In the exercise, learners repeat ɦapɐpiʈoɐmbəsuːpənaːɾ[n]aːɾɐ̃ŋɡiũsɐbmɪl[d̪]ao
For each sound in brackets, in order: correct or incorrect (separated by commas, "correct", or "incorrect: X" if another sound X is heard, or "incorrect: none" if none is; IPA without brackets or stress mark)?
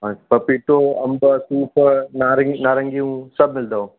correct, correct